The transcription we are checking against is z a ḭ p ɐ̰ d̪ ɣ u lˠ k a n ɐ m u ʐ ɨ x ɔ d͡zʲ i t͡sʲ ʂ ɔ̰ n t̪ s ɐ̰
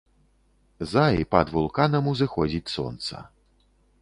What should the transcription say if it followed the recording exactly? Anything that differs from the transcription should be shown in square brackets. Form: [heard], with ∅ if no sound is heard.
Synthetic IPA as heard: z a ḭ p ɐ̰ d̪ [v] u lˠ k a n ɐ m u [z] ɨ x ɔ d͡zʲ i t͡sʲ [s] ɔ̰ n t̪ s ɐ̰